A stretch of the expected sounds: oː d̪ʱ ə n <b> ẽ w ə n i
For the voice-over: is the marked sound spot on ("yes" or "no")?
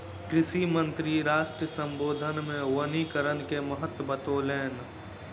no